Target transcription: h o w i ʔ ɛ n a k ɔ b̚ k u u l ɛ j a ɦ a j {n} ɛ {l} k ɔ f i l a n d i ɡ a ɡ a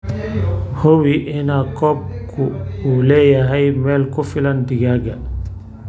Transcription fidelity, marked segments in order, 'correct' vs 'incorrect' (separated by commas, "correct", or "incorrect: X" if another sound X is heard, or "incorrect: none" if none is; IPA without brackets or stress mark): incorrect: m, correct